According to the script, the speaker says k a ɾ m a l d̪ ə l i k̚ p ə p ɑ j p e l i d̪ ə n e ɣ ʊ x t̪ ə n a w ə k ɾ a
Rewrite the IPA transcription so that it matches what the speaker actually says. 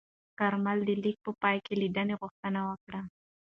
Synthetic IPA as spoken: k a ɾ m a l d̪ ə l i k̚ p ə p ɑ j k e l i d̪ ə n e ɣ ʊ x t̪ ə n a w ə k ɽ a